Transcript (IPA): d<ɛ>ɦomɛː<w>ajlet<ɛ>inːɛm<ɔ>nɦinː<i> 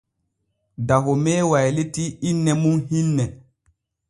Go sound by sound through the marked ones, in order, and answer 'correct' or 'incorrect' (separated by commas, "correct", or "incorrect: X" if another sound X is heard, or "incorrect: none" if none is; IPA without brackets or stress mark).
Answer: incorrect: a, correct, incorrect: i, incorrect: u, incorrect: ɛ